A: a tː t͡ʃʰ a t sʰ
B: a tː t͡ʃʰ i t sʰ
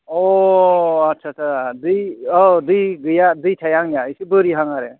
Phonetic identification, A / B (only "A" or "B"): A